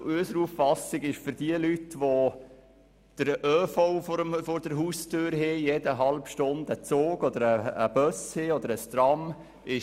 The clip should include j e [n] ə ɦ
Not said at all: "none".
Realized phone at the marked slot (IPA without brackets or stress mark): d